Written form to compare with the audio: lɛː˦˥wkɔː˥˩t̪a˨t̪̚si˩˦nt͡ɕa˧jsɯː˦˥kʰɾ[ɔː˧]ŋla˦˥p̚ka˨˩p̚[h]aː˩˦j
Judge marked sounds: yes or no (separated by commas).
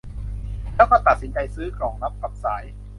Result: no, no